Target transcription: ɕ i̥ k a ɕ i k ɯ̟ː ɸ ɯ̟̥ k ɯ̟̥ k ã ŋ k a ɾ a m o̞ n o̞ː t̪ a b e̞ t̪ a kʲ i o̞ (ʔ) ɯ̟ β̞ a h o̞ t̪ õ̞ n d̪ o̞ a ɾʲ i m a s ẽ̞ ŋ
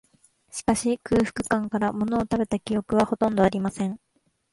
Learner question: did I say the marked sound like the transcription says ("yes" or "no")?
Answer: no